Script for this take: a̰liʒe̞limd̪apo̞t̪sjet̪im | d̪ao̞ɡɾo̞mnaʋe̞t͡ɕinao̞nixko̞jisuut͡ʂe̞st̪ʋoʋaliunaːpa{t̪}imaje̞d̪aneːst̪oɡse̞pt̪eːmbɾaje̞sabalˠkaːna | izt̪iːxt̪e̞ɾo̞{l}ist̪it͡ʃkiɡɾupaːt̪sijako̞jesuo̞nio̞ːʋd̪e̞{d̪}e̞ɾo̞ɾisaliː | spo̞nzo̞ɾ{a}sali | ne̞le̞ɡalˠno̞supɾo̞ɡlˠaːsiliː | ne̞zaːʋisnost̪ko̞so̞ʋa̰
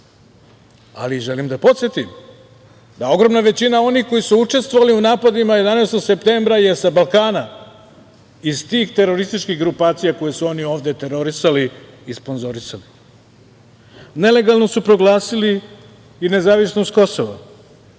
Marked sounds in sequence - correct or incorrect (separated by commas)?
incorrect, incorrect, incorrect, incorrect